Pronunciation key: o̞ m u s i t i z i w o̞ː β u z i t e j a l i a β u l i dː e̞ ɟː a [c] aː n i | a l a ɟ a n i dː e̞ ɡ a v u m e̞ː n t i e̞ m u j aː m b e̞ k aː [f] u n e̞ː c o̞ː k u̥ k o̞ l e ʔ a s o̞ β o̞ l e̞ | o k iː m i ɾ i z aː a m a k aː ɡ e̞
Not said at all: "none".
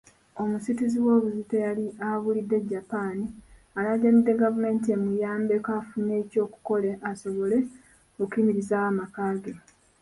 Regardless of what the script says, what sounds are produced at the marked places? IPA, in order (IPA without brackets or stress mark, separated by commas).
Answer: p, f